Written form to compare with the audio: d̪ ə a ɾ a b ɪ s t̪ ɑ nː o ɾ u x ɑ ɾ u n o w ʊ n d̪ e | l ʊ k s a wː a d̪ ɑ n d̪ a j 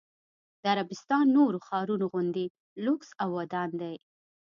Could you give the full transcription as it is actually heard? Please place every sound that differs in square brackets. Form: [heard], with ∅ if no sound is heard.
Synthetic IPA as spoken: d̪ ə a ɾ a b ɪ s t̪ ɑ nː o ɾ [o] x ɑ ɾ u n o [ɣ] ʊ n d̪ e | l ʊ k s a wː a d̪ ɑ n d̪ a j